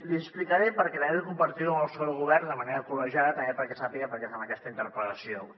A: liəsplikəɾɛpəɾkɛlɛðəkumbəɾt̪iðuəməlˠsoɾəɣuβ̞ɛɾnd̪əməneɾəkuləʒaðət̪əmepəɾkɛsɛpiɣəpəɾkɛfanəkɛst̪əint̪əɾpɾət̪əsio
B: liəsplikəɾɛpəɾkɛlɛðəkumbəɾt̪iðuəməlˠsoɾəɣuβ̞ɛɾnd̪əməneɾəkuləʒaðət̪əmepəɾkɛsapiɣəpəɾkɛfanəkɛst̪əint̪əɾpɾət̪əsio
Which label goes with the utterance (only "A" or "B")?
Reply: B